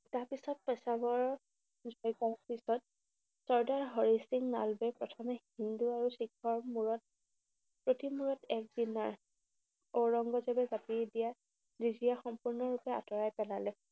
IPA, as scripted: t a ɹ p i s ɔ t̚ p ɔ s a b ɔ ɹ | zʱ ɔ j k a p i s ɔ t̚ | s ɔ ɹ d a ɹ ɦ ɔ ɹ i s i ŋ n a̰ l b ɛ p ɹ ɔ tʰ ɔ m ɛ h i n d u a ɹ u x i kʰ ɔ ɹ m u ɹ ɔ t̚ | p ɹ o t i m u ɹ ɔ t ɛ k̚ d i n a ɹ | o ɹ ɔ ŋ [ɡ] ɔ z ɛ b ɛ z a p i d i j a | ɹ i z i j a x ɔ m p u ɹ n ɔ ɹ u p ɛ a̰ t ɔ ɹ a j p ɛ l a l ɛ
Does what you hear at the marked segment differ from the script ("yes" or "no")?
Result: no